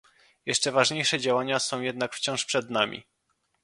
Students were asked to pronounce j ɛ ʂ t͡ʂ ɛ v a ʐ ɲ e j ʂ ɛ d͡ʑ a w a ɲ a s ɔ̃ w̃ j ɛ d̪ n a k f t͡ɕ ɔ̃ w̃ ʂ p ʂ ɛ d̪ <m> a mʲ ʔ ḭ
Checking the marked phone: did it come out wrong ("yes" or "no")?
yes